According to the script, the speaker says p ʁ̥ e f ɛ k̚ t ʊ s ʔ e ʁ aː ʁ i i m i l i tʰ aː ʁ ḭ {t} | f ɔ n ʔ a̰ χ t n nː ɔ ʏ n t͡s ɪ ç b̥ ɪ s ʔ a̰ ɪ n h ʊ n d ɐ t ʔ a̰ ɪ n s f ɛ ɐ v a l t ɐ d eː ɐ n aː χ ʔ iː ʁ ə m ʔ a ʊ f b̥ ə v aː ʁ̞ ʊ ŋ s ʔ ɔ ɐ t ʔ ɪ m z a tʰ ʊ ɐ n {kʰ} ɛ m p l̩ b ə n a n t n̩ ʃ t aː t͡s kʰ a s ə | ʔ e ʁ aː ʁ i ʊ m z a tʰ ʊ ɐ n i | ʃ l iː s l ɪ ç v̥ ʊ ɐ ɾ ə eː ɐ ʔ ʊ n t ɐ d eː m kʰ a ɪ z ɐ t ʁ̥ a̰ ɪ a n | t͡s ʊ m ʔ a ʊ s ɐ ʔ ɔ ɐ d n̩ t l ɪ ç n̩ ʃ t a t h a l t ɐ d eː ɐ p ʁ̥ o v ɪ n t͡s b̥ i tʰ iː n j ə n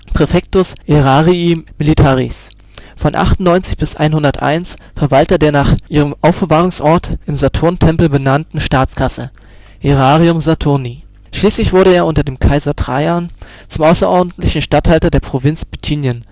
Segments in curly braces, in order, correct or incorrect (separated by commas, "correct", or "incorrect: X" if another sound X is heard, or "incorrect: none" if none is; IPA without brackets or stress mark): incorrect: s, incorrect: tʰ